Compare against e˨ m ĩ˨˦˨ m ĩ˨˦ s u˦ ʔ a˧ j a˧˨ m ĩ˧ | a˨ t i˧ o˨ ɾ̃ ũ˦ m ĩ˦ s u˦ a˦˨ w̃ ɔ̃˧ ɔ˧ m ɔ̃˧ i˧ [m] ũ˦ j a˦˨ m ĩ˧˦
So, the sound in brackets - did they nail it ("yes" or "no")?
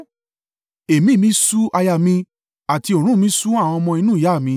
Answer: no